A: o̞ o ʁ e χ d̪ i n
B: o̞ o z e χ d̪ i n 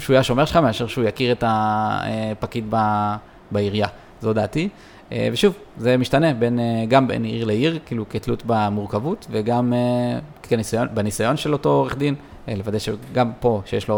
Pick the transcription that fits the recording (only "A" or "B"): A